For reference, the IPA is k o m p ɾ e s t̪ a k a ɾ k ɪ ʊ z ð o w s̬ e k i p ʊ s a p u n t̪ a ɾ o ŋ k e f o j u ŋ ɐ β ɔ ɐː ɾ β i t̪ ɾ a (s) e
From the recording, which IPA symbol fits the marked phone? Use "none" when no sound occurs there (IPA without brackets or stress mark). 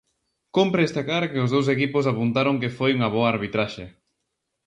ʃ